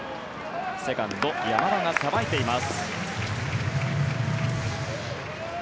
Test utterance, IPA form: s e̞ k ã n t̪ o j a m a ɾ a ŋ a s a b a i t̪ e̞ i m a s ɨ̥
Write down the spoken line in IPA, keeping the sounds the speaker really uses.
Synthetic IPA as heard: s e̞ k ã n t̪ o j a m a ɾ a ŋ a s a b a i t̪ e̞ i m a s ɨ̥